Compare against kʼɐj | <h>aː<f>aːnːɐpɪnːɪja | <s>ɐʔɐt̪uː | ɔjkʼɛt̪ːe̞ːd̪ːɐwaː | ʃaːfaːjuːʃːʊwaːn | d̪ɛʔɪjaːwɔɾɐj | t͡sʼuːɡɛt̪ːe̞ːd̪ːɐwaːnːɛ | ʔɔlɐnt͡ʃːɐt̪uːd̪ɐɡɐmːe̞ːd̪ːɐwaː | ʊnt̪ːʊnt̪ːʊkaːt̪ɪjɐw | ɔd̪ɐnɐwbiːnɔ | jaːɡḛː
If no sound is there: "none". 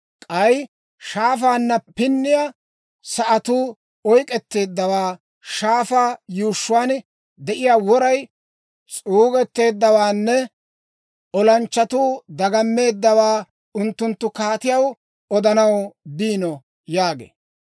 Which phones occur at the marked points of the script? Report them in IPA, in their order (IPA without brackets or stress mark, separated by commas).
ʃ, f, s